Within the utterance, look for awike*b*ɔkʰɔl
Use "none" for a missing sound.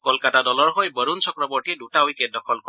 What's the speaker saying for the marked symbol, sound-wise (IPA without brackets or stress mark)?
d